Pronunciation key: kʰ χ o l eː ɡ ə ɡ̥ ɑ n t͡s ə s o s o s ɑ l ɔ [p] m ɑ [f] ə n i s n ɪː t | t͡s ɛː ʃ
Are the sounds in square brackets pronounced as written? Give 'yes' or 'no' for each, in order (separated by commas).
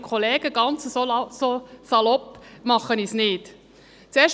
yes, no